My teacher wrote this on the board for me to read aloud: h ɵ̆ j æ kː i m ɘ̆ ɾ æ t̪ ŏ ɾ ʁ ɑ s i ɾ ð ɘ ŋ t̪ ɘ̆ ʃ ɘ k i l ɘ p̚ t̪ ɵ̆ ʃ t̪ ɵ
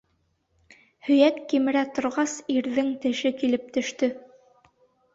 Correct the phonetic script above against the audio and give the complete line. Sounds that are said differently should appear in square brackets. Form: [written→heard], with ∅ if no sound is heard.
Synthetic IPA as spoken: h ɵ̆ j æ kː i m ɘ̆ ɾ æ t̪ ŏ ɾ ʁ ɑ s i ɾ ð ɘ ŋ t̪ ɘ̆ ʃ ɘ k i l ɘ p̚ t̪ ɵ̆ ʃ t̪ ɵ